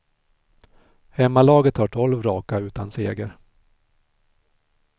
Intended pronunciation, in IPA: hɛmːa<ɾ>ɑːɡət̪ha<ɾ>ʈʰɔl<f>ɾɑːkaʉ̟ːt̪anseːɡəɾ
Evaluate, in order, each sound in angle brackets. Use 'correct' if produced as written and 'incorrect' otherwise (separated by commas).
incorrect, incorrect, incorrect